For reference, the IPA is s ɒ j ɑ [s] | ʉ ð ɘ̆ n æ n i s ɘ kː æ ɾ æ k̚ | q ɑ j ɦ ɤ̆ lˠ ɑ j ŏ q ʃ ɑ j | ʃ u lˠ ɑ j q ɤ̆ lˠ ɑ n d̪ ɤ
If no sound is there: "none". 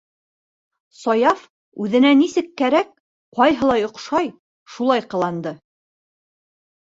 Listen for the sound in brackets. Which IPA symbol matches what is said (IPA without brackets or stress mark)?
f